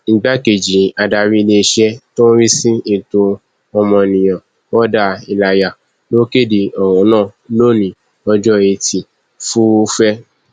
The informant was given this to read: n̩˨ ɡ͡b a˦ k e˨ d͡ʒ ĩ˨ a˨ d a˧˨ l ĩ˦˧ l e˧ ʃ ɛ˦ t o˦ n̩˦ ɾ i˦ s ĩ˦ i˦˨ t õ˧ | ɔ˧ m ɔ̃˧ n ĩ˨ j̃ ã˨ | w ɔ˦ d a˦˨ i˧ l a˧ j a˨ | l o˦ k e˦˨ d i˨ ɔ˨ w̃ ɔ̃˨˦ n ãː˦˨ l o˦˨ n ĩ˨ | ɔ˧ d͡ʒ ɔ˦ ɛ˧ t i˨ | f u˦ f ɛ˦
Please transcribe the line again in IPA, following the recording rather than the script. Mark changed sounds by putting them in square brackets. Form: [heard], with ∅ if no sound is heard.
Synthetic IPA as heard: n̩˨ ɡ͡b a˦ k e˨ d͡ʒ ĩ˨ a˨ d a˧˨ [ɾ] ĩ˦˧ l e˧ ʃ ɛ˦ t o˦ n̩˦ ɾ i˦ s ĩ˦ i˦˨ t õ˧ | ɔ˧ m ɔ̃˧ n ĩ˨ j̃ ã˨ | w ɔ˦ d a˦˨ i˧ l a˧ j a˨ | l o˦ k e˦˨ d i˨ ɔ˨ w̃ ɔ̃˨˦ n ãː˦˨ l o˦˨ n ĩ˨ | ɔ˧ d͡ʒ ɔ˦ [e˧] t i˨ | f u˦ f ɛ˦

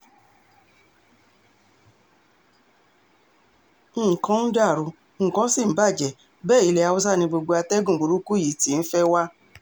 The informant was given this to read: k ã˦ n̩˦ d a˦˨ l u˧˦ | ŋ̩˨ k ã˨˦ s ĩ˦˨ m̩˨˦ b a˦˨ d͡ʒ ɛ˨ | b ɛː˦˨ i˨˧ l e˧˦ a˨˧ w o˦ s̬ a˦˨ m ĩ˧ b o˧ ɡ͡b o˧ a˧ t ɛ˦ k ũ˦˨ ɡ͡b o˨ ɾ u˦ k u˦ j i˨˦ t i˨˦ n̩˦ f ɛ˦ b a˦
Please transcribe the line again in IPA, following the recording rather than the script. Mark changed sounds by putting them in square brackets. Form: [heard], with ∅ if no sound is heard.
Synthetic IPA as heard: k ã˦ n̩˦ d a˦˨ [ɾ] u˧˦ | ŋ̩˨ k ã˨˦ s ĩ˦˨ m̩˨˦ b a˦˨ d͡ʒ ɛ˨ | b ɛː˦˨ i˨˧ l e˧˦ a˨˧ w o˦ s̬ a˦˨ [n] ĩ˧ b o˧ ɡ͡b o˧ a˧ t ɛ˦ [ɡ] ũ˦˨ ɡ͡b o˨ ɾ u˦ k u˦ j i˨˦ t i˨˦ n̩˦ f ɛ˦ [w] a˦

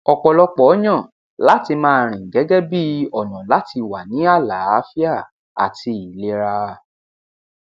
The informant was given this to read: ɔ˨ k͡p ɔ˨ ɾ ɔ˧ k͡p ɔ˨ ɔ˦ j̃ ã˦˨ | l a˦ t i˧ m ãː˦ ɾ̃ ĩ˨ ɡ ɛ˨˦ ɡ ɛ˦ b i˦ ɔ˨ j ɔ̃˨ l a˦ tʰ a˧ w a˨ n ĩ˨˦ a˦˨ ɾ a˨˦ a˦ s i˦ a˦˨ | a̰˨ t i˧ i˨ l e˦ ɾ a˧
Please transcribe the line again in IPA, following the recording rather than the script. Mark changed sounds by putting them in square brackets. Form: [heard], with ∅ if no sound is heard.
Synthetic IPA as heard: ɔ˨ k͡p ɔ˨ [l] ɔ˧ k͡p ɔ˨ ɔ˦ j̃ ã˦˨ | l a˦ t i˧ m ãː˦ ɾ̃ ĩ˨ ɡ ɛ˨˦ ɡ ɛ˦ b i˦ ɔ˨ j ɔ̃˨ l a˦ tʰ [i˧] w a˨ n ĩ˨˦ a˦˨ [l] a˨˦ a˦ [f] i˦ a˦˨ | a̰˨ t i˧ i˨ l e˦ ɾ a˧

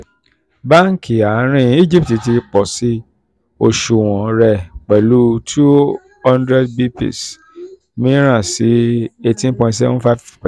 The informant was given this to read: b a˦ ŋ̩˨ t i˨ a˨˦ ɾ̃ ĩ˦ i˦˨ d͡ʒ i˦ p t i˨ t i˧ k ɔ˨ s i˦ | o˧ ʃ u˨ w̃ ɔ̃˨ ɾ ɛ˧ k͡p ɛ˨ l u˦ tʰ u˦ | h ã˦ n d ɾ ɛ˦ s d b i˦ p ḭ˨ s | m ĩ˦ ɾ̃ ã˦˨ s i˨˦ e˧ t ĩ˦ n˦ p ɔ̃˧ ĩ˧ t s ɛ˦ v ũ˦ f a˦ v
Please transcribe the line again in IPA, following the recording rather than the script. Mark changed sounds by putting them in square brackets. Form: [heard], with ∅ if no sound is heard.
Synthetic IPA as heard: b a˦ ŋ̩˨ [k] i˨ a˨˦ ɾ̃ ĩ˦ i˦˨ d͡ʒ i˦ p t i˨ t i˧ [k͡p] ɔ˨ s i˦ | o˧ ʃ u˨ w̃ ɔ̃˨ ɾ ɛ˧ k͡p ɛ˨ l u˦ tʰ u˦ | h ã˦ n d ɾ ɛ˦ [∅] d b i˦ p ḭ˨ s | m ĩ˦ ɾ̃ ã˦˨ s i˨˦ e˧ t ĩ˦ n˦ p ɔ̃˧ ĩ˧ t s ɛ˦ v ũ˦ f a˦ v

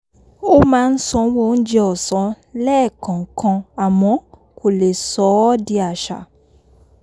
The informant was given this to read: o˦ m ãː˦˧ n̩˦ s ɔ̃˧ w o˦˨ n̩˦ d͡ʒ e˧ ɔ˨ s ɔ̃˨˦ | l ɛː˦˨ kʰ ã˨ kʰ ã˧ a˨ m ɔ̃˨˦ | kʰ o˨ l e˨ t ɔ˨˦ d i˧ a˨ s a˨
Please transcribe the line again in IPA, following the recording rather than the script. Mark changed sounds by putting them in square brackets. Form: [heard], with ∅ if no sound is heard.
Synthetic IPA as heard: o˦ m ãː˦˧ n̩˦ s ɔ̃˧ w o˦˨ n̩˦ d͡ʒ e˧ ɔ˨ s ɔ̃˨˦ | l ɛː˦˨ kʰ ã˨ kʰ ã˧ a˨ m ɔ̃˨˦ | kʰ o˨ l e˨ [s] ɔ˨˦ d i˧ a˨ [ʃ] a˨

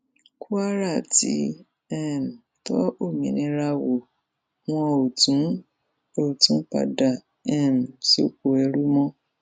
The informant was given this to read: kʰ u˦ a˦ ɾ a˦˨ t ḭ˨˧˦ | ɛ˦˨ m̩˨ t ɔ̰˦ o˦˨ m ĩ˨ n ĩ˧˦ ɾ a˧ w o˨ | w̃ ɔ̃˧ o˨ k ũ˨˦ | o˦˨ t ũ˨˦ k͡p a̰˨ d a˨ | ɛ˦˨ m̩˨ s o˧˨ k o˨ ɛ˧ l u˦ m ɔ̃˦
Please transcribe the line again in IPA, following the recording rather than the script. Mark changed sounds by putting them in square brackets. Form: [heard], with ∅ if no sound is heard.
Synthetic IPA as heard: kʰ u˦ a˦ ɾ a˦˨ t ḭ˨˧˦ | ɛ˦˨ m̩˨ t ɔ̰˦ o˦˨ m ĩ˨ n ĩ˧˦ ɾ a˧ w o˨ | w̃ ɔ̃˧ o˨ [t] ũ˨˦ | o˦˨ t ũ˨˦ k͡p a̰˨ d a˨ | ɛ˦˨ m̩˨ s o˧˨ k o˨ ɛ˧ [ɾ] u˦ m ɔ̃˦

